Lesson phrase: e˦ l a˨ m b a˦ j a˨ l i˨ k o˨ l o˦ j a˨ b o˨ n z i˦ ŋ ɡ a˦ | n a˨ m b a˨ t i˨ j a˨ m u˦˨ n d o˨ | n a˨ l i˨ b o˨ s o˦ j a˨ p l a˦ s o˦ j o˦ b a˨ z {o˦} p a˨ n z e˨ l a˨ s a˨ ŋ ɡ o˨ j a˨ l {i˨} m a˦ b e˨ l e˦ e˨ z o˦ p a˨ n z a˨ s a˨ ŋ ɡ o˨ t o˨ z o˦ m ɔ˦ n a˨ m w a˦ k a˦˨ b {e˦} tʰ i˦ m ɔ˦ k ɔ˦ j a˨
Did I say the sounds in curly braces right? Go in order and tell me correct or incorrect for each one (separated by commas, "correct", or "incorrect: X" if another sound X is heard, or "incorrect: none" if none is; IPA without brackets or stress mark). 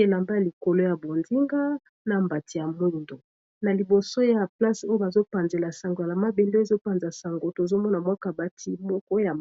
correct, incorrect: a˨, incorrect: a˦